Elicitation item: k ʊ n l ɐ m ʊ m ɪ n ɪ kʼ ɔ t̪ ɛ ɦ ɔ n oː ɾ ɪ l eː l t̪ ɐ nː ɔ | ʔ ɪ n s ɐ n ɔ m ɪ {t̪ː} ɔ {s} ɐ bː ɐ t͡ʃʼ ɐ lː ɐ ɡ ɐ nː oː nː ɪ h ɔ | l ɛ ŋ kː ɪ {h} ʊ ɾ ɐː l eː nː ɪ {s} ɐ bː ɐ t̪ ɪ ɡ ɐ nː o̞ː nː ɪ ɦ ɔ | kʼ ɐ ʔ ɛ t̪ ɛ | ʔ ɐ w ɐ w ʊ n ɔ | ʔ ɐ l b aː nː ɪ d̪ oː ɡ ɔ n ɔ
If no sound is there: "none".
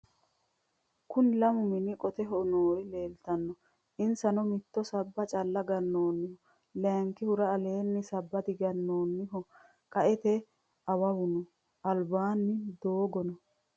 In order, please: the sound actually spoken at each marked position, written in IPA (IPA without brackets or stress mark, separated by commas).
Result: t̪ː, s, h, s